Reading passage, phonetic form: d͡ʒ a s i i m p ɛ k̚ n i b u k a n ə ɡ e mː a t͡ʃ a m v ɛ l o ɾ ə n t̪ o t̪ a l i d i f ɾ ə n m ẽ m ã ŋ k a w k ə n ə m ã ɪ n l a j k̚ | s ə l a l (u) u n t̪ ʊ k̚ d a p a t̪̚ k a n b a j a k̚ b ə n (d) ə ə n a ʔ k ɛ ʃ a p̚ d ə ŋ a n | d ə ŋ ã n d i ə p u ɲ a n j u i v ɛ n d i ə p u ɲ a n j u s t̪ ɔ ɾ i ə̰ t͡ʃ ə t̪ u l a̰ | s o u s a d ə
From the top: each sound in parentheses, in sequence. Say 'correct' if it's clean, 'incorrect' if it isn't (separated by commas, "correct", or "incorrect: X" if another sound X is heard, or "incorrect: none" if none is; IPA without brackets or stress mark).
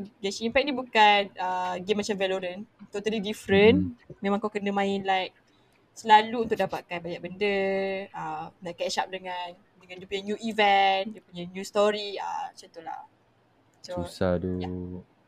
correct, correct